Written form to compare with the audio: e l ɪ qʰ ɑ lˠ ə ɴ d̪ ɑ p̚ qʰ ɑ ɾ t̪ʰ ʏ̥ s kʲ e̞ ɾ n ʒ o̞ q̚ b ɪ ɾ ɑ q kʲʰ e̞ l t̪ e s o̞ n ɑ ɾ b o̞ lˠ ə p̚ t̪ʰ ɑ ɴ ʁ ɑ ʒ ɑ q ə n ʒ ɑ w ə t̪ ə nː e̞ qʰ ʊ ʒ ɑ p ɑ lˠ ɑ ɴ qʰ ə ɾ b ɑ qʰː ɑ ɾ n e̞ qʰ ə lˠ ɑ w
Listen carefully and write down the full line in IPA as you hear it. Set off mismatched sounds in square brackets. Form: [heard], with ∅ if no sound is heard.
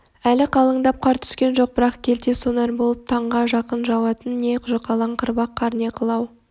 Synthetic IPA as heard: [æ] l ɪ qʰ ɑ lˠ ə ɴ d̪ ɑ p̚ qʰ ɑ ɾ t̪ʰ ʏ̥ s kʲ e̞ [∅] n ʒ o̞ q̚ b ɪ ɾ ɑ q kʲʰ e̞ l t̪ e s o̞ n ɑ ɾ b o̞ lˠ ə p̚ t̪ʰ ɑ ɴ ʁ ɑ ʒ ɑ q ə n ʒ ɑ w [ɑ] t̪ ə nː e̞ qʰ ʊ ʒ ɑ [q] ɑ lˠ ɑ ɴ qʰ ə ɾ b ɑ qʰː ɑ ɾ n e̞ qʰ ə lˠ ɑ w